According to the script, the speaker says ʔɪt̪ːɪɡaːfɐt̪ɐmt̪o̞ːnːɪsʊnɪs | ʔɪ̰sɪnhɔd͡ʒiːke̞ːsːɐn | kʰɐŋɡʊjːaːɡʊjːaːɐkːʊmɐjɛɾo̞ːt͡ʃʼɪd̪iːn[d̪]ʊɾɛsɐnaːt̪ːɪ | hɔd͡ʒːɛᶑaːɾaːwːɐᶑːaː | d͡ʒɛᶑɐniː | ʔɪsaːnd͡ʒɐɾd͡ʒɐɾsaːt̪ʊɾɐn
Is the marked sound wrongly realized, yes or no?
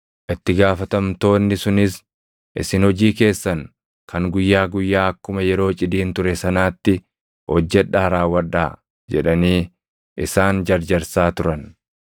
yes